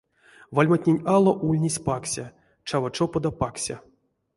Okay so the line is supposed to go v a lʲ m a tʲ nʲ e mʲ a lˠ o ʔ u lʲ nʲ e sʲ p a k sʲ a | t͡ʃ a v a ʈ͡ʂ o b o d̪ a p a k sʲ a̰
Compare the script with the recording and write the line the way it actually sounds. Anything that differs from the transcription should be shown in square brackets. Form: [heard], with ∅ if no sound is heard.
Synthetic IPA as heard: v a lʲ m a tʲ nʲ e [nʲ] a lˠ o ʔ u lʲ nʲ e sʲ p a k sʲ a | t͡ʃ a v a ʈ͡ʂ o [p] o d̪ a p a k sʲ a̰